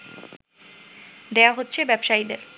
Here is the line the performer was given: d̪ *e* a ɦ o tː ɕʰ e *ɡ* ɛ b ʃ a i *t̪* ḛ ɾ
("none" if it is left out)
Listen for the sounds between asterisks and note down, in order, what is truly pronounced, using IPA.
e, b, d̪

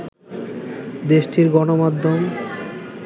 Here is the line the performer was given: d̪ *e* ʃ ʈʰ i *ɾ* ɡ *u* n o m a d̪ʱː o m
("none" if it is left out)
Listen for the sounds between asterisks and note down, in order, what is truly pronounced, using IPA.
e, ɾ, ɔ

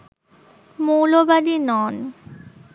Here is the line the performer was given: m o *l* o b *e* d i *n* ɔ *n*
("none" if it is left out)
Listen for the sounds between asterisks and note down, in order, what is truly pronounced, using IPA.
l, a, n, n

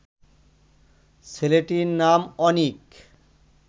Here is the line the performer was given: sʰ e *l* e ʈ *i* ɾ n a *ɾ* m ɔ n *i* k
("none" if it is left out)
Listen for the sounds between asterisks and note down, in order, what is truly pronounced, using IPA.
l, i, none, i

